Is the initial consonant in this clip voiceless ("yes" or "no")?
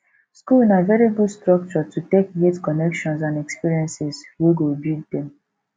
yes